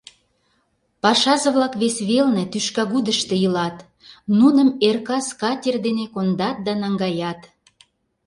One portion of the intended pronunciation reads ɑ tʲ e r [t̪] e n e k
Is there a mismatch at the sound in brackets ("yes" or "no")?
yes